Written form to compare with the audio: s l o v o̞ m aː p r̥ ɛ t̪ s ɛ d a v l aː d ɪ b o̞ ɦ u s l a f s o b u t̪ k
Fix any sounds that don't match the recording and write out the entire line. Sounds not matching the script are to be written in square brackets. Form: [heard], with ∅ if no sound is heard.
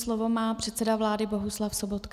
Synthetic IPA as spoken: s l o v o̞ m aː p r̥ ɛ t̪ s ɛ d a v l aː d ɪ b o̞ ɦ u s l a f s o b [o] t̪ k